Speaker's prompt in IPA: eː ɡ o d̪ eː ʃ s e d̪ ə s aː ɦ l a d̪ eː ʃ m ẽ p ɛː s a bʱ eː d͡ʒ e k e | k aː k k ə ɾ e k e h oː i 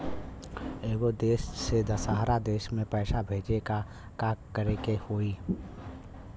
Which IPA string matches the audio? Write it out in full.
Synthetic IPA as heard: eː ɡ o d̪ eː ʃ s e d̪ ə s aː ɦ ɾ a d̪ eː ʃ m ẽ p ɛː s a bʱ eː d͡ʒ e k a | k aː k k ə ɾ e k e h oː i